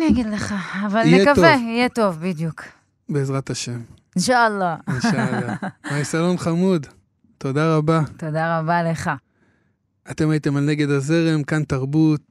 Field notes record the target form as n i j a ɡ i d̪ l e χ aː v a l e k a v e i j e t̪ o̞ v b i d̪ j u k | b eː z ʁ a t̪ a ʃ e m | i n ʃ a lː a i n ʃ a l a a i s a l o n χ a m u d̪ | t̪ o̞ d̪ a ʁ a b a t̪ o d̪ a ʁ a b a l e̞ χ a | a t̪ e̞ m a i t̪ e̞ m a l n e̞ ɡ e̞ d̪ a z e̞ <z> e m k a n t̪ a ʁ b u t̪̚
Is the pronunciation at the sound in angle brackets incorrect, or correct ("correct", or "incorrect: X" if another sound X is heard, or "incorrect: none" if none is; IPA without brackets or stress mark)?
incorrect: ʁ